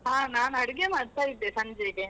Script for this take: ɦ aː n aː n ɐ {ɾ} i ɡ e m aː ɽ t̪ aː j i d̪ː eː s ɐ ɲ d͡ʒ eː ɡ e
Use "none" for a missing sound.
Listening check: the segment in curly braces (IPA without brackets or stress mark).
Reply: ɽ